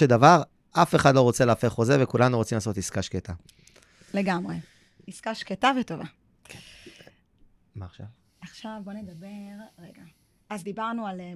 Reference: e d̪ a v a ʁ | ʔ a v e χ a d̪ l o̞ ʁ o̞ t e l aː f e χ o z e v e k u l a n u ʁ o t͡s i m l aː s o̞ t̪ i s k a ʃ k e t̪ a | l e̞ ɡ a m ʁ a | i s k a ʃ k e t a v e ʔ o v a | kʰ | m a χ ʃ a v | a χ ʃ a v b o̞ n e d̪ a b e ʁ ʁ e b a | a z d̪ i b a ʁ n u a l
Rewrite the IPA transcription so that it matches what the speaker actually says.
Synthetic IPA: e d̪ a v a ʁ | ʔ a f e χ a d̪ l o̞ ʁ o̞ t͡s e l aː f e χ o z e v e k u l a n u ʁ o t͡s i m l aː s o̞ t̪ i s k a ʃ k e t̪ a | l e̞ ɡ a m ʁ e | i s k a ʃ k e t a v e t o v a | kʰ | m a χ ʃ a v | a χ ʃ a v b o̞ n e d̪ a b e ʁ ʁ e ɡ a | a z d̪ i b a ʁ n u a l